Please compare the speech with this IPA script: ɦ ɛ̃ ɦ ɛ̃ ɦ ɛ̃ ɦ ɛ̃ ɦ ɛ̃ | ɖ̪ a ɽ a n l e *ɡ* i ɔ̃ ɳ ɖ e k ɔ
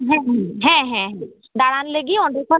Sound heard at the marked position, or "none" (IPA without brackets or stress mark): ɡ